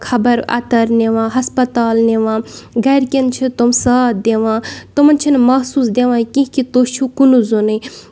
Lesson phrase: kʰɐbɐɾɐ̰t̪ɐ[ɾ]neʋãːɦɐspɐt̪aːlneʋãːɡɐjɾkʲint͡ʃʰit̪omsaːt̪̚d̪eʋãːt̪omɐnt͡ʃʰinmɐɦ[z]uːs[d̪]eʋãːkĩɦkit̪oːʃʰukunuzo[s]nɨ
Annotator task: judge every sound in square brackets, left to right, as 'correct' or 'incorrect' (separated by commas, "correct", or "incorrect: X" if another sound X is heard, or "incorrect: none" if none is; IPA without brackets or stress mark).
correct, incorrect: s, correct, incorrect: none